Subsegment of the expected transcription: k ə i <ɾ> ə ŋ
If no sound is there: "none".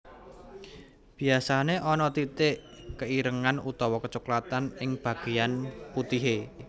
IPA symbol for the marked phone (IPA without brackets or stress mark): ɾ